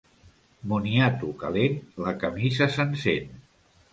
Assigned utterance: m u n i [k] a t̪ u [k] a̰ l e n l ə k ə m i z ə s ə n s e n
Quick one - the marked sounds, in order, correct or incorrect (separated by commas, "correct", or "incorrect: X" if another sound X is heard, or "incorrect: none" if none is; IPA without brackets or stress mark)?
incorrect: none, correct